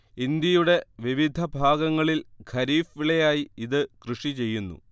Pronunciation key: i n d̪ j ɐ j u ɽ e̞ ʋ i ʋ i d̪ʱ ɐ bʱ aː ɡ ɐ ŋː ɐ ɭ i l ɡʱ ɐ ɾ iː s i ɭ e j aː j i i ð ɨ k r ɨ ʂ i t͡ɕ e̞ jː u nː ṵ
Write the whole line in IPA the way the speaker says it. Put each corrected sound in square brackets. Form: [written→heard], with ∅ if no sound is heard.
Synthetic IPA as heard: i n d̪ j ɐ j u ɽ e̞ ʋ i ʋ i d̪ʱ ɐ bʱ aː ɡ ɐ ŋː ɐ ɭ i l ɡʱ ɐ ɾ iː [s→f] i ɭ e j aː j i i ð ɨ k r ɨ ʂ i t͡ɕ e̞ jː u nː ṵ